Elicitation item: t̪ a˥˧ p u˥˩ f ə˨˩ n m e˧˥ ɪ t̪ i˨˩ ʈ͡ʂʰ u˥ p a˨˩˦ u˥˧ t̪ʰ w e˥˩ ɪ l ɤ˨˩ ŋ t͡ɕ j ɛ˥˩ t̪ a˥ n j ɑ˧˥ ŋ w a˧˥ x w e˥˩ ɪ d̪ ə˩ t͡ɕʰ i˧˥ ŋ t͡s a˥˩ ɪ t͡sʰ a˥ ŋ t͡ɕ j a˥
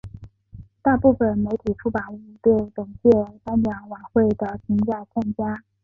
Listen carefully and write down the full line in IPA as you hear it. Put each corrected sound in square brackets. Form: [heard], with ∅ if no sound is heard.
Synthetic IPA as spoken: t̪ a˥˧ p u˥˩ f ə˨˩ n m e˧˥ ɪ [t̪ʰ] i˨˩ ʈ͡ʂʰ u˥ p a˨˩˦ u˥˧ [t̪] w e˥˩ ɪ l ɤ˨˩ ŋ t͡ɕ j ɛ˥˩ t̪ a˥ n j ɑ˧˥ ŋ w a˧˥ x w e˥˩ ɪ d̪ ə˩ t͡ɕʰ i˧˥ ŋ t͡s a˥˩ ɪ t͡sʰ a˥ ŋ t͡ɕ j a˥